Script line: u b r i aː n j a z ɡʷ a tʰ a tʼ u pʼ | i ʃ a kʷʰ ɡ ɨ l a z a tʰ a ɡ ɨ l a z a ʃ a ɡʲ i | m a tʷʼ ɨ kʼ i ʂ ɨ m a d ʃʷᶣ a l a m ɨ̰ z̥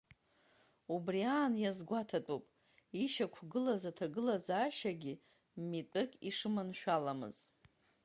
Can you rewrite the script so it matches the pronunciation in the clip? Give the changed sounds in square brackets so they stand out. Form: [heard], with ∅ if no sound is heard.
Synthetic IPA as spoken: u b r i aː n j a z ɡʷ a tʰ a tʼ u pʼ | i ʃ a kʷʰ ɡ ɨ l a z a tʰ a ɡ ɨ l a z a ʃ a ɡʲ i | m [i] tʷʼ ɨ kʼ i ʂ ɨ m a [n] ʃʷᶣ a l a m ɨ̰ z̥